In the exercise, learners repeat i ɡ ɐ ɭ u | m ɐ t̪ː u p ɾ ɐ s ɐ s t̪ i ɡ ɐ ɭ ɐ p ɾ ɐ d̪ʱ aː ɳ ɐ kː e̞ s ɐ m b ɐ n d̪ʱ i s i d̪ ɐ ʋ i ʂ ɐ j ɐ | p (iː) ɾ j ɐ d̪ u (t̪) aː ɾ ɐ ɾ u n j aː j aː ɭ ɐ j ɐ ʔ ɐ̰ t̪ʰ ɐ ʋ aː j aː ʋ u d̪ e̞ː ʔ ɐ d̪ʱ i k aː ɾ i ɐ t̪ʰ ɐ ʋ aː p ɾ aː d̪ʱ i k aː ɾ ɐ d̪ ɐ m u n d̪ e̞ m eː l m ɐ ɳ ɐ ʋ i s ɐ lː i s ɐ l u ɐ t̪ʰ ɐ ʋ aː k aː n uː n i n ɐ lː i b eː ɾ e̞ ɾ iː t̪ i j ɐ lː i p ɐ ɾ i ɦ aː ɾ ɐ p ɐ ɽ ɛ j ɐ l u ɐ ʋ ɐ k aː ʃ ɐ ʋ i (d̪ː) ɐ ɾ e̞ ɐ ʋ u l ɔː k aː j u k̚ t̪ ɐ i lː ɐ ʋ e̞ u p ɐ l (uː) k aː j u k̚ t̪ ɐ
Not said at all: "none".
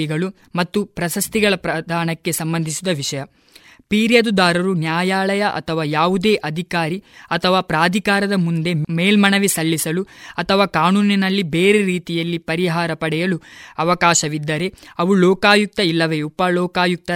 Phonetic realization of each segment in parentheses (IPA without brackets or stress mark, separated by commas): iː, d̪, d̪ː, ɔː